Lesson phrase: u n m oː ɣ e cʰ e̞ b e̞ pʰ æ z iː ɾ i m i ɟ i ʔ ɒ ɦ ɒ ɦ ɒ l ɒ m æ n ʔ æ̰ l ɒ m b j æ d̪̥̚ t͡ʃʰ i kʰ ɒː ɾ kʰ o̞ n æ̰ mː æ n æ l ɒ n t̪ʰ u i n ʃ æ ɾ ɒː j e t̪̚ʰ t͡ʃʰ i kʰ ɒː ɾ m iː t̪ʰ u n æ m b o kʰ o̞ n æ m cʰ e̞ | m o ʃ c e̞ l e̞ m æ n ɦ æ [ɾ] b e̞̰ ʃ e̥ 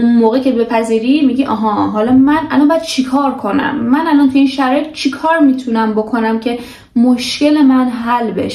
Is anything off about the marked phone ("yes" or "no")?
yes